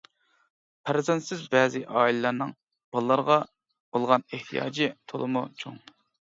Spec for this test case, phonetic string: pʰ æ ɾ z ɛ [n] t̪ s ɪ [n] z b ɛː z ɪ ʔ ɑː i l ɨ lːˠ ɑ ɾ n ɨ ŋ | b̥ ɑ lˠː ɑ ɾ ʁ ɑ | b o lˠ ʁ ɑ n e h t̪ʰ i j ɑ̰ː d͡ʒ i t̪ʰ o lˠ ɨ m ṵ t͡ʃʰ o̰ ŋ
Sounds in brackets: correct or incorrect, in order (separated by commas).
correct, incorrect